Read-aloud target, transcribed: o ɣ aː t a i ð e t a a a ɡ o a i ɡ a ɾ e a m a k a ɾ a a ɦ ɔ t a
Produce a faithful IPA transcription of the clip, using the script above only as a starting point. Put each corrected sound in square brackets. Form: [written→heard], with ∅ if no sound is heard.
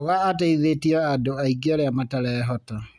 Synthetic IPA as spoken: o ɣ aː t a i ð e t [a→i] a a [ɡ→d] o a i ɡ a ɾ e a m a [k→t] a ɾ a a ɦ ɔ t a

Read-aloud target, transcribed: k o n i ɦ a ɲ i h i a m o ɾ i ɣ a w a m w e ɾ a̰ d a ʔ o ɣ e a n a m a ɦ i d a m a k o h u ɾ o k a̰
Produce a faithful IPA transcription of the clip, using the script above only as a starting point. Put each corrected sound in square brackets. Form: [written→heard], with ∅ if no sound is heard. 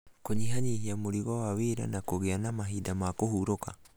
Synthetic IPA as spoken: k o [n→ɲ] i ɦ a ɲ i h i a m o ɾ i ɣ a w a [m→∅] w e ɾ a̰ [d→n] a [ʔ→k] o ɣ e a n a m a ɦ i d a m a k o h u ɾ o k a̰

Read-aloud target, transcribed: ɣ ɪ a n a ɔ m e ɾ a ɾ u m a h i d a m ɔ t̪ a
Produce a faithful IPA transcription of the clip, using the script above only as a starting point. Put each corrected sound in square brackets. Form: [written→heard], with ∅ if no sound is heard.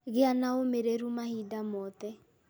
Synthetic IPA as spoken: ɣ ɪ a n a [ɔ→o] m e ɾ [a→e] ɾ u m a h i d a m ɔ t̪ [a→ɛ]

